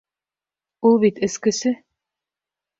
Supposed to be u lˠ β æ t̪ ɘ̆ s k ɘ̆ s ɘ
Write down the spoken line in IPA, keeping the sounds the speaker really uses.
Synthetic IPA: u lˠ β i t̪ ɘ̆ s k ɘ̆ s ɘ